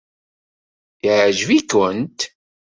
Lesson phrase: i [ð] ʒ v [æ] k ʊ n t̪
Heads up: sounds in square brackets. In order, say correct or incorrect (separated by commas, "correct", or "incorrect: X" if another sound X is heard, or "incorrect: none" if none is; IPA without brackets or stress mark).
incorrect: ʕ, incorrect: i